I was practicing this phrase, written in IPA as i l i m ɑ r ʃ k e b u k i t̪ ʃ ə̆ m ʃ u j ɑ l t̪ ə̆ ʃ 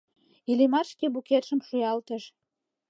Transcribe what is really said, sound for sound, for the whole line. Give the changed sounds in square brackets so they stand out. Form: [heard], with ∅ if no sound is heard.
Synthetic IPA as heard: i l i m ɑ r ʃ k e b u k [e] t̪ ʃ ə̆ m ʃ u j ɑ l t̪ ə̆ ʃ